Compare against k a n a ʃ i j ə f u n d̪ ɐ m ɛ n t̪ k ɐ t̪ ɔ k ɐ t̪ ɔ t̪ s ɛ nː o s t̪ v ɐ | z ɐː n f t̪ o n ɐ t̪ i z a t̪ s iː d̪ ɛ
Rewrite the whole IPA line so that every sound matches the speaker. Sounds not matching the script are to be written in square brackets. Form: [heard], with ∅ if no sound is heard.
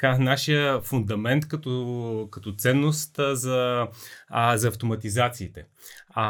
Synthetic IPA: k a n a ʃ i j ə f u n d̪ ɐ m ɛ n t̪ k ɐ t̪ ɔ k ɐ t̪ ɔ t̪ s ɛ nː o s t̪ [z] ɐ | z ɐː [∅] f t̪ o [m] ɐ t̪ i z a t̪ s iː [t̪] ɛ